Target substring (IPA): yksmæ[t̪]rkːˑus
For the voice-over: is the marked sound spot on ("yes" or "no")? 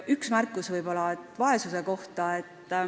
no